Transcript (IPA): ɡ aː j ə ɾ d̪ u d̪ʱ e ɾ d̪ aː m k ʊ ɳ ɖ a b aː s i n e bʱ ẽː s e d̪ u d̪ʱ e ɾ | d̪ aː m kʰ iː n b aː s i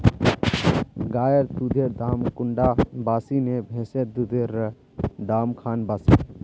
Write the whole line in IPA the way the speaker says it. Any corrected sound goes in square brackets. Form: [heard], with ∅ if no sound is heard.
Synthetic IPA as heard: ɡ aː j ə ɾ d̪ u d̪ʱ e ɾ d̪ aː m k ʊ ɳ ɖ a b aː s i n e bʱ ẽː s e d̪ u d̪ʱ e ɾ | d̪ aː m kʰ [aː] n b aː s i